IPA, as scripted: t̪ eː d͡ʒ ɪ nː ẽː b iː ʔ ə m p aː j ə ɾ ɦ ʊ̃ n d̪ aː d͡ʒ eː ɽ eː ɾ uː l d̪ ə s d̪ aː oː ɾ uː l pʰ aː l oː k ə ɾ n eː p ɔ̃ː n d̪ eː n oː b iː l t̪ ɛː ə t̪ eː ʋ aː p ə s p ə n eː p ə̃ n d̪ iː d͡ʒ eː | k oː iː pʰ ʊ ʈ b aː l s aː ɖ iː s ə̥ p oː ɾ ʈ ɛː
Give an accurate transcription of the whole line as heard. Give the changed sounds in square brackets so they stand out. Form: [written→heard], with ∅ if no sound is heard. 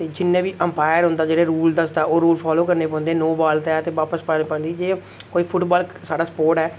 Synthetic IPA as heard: t̪ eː d͡ʒ ɪ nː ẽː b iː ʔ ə m p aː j ə ɾ ɦ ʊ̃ n d̪ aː d͡ʒ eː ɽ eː ɾ uː l d̪ ə s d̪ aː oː ɾ uː l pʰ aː l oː k ə ɾ n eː p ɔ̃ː n d̪ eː n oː b [iː→aː] l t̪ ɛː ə t̪ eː ʋ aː p ə s p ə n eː p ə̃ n d̪ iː d͡ʒ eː | k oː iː pʰ ʊ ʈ b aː l s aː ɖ [iː→aː] s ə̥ p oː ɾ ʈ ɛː